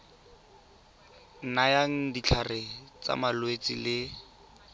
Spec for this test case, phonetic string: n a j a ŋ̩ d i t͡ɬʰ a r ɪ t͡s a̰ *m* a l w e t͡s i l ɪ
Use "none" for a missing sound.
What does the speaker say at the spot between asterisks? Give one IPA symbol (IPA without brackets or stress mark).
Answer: m